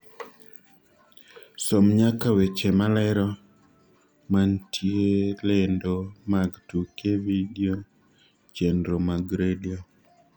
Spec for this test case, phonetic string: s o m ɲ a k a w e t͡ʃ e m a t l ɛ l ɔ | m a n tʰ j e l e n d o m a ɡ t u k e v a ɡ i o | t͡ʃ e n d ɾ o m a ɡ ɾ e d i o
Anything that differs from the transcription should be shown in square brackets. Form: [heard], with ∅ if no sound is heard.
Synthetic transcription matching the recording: s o m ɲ a k a w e t͡ʃ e m a [∅] l ɛ [ɾ] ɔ | m a n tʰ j e l e n d o m a ɡ t u k e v [i] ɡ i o | t͡ʃ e n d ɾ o m a ɡ ɾ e d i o